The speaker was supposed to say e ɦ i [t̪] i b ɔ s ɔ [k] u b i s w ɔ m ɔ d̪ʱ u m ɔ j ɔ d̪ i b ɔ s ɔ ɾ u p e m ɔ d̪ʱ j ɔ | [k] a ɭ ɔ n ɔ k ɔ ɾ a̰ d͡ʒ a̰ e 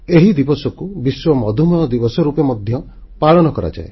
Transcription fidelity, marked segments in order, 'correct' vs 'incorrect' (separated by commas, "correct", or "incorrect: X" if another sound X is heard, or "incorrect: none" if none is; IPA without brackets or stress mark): incorrect: d̪, correct, incorrect: p